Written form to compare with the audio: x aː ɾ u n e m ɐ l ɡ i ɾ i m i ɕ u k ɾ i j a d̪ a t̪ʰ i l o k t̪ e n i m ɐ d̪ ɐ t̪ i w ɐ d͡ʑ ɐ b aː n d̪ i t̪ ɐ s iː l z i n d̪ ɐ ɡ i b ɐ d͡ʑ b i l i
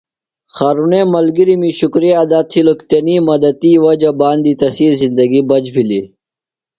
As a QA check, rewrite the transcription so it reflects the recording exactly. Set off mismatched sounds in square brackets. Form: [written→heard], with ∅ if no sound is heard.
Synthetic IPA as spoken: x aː ɾ u n e m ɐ l ɡ i ɾ i m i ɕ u k ɾ i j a d̪ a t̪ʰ i l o k t̪ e n i m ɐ d̪ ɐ t̪ i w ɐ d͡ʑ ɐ b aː n d̪ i t̪ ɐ s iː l z i n d̪ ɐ ɡ i b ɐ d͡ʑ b i l i